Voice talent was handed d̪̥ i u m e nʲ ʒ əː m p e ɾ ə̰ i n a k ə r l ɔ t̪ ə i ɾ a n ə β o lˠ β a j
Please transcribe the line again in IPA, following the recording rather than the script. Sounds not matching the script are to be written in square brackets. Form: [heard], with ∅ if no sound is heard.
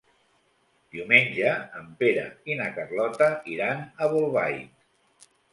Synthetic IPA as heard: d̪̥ i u m e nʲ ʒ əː m p e ɾ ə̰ i n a k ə r l ɔ t̪ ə i ɾ a n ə β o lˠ β a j